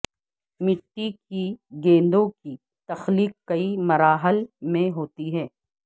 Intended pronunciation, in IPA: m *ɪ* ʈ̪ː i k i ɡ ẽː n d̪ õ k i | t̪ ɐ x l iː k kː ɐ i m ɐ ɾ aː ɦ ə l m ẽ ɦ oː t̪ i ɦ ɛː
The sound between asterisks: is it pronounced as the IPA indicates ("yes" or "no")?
yes